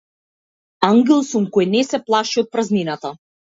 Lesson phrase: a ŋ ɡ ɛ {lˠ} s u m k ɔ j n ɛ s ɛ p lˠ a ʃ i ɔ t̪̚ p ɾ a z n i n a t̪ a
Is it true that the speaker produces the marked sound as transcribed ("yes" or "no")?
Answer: yes